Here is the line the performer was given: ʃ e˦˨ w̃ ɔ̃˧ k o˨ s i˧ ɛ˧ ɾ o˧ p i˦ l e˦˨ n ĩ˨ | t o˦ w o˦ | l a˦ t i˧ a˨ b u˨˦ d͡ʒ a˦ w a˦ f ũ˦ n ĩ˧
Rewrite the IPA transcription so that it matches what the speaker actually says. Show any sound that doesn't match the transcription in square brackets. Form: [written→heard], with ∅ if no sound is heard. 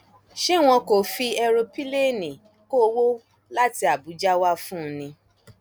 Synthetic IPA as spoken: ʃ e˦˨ w̃ ɔ̃˧ k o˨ [s→f] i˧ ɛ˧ ɾ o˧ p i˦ l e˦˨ n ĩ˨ | [t→k] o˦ w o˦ | l a˦ t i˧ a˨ b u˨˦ d͡ʒ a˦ w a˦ f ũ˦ n ĩ˧